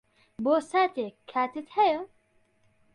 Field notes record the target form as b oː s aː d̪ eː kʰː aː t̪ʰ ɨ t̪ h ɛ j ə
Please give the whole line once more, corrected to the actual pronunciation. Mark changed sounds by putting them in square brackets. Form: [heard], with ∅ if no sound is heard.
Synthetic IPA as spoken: b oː s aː [t̪] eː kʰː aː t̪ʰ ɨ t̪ h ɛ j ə